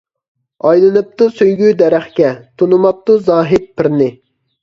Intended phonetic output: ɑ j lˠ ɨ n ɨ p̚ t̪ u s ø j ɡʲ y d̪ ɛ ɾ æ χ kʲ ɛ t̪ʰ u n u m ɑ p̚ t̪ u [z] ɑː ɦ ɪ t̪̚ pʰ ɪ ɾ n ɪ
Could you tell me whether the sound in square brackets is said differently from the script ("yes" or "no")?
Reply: no